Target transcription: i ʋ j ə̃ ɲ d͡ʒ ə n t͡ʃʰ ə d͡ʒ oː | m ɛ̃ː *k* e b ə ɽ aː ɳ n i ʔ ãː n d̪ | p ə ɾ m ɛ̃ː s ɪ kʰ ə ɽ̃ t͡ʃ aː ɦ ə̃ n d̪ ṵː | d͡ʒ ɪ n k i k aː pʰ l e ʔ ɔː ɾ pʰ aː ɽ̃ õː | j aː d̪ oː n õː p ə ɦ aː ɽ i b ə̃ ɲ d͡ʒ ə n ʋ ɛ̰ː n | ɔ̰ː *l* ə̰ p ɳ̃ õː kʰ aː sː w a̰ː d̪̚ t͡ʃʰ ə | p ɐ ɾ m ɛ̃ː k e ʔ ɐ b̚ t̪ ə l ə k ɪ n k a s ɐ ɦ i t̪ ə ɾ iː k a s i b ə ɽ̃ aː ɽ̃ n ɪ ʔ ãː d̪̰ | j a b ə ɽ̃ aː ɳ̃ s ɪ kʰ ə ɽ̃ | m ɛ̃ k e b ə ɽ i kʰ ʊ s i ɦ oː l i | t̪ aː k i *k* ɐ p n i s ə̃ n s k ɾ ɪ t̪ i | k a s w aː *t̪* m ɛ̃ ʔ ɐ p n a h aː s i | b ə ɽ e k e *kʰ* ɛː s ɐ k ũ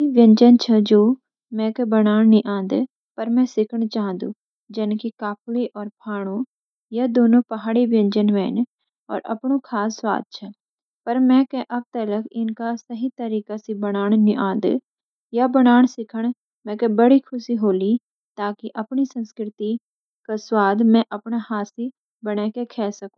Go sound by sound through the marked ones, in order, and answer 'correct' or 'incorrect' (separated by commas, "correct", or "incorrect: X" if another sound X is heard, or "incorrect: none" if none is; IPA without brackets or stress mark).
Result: correct, incorrect: ɾ, incorrect: ʔ, incorrect: d̪, correct